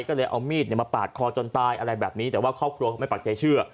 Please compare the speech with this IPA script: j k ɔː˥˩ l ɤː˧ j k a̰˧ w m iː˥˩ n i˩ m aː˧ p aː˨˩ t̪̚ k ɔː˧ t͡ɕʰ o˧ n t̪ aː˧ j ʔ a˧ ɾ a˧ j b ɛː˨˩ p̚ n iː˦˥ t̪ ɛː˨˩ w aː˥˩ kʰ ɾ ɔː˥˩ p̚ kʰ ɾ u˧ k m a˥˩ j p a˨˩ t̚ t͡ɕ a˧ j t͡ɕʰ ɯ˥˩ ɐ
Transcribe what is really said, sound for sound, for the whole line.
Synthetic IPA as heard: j k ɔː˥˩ l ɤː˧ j ʔ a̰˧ w m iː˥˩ n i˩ m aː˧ p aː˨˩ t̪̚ kʰ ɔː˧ t͡ɕ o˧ n t̪ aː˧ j ʔ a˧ ɾ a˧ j b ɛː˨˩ p̚ n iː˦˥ t̪ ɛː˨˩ w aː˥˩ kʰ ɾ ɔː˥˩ p̚ kʰ ɾ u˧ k m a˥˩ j p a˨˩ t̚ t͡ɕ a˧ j t͡ɕʰ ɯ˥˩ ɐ